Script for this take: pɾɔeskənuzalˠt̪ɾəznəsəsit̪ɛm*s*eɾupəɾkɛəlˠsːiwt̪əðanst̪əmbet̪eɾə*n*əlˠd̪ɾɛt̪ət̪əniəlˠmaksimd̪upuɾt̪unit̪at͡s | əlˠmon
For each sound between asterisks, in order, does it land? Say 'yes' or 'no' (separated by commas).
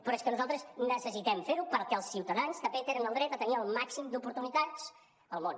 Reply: no, yes